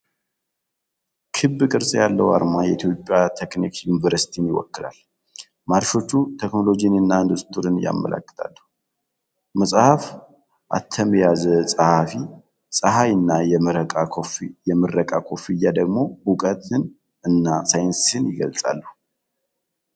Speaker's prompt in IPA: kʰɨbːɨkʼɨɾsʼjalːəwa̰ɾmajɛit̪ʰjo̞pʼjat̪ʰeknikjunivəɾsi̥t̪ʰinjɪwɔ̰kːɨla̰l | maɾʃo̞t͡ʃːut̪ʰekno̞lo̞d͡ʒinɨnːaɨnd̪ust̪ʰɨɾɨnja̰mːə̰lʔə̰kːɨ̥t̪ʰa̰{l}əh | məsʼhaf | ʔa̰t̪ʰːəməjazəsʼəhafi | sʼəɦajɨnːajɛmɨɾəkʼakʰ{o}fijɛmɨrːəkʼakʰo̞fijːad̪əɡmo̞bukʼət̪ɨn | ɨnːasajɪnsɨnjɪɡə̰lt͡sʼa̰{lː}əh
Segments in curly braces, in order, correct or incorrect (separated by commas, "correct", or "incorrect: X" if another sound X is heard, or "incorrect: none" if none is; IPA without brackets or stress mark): incorrect: lː, correct, correct